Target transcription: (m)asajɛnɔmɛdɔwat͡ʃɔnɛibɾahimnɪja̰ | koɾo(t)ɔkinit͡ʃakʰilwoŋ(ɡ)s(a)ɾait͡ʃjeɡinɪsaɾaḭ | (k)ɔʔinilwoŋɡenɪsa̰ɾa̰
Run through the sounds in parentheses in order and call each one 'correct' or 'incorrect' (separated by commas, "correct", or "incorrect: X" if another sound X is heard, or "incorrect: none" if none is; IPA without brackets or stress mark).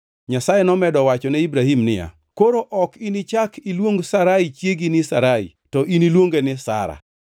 incorrect: ɲ, incorrect: ʔ, correct, correct, incorrect: t